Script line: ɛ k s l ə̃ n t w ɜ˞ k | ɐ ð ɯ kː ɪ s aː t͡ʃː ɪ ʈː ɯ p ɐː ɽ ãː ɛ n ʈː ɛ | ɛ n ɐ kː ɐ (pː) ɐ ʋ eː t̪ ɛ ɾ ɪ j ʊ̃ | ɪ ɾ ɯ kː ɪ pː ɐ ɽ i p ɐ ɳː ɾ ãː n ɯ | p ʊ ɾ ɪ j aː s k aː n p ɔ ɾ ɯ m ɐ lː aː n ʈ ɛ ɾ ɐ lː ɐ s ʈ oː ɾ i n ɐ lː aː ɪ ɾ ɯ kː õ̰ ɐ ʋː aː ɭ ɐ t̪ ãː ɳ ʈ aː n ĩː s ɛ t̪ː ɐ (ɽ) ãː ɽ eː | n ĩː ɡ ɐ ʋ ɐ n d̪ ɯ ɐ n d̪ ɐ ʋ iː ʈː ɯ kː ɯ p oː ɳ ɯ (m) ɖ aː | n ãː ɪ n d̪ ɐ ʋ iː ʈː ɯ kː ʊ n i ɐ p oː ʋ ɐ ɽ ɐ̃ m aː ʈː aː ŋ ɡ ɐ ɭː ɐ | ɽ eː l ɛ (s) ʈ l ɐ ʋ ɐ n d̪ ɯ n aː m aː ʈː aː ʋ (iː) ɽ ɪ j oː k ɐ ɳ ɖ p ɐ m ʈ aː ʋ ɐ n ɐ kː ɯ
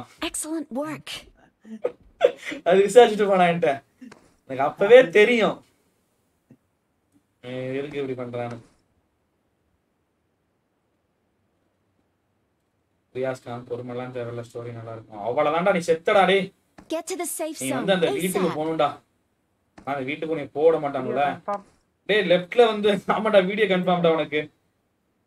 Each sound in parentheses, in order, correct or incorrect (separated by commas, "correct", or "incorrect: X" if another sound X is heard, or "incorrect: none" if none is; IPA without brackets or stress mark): correct, correct, incorrect: ɳ, incorrect: f, correct